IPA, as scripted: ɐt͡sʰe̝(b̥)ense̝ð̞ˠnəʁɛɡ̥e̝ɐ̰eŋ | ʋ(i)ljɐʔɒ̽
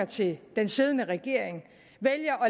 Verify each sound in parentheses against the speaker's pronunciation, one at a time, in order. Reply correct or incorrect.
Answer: incorrect, incorrect

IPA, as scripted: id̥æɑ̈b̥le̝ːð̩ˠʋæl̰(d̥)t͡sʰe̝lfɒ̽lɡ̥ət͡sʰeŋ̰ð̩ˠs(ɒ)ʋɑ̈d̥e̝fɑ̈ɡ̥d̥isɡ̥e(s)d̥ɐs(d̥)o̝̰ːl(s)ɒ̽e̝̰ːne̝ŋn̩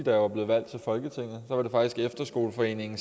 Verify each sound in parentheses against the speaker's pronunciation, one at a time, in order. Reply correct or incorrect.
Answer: correct, correct, incorrect, incorrect, incorrect

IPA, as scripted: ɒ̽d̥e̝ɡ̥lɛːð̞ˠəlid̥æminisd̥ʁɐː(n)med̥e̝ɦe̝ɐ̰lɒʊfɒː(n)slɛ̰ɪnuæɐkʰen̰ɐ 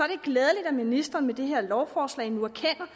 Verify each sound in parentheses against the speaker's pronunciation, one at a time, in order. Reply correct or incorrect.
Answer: correct, incorrect

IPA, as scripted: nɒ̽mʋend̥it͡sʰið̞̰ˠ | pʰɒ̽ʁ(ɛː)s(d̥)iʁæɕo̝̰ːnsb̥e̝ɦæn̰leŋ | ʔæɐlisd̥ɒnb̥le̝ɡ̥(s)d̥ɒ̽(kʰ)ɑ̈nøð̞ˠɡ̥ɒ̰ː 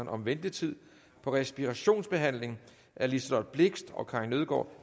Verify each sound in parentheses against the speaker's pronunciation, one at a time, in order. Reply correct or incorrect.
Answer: incorrect, incorrect, correct, correct

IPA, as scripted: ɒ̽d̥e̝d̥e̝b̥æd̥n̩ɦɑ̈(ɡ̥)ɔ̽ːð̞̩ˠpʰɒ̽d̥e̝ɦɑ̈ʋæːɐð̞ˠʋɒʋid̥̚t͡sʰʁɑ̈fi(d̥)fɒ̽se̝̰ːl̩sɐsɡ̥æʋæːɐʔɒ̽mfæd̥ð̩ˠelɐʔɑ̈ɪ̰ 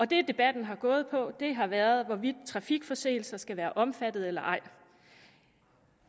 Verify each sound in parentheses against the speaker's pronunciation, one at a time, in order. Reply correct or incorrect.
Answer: correct, incorrect

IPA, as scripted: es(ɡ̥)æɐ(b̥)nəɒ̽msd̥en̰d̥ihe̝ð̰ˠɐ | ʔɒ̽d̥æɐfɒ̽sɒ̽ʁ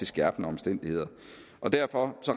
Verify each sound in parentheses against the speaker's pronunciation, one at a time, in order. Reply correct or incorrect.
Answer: correct, correct

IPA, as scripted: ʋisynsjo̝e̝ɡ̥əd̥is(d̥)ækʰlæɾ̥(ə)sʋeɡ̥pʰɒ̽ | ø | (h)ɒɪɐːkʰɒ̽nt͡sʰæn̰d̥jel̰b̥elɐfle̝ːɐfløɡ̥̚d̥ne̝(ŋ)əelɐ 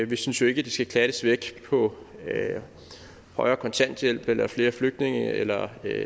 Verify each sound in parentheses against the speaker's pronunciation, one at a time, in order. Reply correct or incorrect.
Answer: incorrect, correct, correct, correct

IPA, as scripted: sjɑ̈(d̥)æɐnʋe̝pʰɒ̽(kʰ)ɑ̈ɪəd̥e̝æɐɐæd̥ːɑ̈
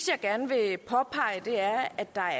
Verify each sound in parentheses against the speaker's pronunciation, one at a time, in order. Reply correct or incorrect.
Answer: incorrect, incorrect

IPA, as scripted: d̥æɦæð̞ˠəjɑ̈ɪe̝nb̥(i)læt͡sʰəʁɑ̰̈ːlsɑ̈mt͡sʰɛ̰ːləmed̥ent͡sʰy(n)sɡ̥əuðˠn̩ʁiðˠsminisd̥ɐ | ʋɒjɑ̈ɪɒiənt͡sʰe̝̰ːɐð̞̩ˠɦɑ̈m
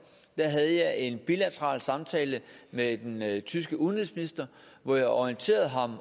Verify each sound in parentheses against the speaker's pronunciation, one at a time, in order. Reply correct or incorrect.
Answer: correct, incorrect

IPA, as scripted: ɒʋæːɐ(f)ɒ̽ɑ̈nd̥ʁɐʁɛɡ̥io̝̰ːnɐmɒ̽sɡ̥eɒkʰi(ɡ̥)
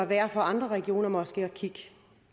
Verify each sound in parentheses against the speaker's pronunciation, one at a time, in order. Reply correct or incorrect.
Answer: correct, correct

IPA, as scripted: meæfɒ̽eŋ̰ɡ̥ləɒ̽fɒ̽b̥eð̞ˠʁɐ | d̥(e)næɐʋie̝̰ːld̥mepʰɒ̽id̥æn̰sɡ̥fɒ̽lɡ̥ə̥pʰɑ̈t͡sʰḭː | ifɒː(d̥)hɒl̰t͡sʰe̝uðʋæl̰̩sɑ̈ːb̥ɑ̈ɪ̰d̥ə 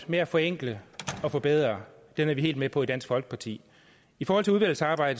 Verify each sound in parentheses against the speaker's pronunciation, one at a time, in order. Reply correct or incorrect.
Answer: correct, incorrect

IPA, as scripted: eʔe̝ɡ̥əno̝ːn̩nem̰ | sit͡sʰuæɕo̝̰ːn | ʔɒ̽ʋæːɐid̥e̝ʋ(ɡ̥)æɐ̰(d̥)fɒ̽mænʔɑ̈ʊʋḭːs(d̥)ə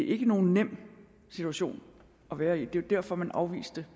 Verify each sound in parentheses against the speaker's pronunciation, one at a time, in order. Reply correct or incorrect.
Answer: incorrect, incorrect, correct

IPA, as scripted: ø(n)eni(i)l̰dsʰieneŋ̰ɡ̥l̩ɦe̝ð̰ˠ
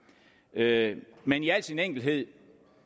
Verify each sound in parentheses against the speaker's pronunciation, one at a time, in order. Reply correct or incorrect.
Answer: incorrect, incorrect

